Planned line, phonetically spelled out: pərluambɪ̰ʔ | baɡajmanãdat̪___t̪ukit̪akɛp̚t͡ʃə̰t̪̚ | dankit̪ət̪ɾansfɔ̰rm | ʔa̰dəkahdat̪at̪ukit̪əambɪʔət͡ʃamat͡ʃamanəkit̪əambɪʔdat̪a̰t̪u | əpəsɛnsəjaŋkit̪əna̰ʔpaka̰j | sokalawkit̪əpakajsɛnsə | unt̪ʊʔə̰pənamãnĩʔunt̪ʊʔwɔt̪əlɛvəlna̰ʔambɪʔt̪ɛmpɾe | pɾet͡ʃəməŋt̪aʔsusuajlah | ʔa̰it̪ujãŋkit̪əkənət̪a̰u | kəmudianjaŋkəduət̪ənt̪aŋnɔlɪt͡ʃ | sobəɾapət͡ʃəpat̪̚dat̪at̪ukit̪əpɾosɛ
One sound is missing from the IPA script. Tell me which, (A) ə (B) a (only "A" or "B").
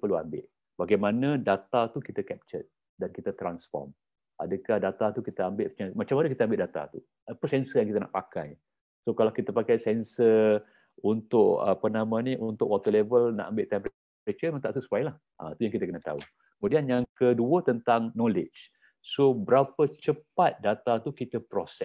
B